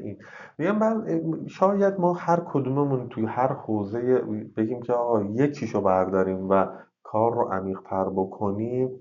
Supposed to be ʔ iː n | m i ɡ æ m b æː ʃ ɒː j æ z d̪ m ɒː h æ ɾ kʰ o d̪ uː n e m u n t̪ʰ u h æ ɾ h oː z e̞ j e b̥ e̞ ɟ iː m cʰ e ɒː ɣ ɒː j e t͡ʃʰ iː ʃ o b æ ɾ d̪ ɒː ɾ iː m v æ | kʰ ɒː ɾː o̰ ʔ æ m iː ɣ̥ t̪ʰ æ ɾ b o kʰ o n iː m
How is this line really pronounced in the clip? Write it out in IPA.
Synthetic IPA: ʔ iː n | m i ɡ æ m b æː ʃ ɒː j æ d̪ m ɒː h æ ɾ kʰ o d̪ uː m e m u n t̪ʰ u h æ ɾ h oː z e̞ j e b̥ e̞ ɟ iː m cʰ e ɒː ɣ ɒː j e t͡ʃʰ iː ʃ o b æ ɾ d̪ ɒː ɾ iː m v æ | kʰ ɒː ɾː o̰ ʔ æ m iː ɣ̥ t̪ʰ æ ɾ b o kʰ o n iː m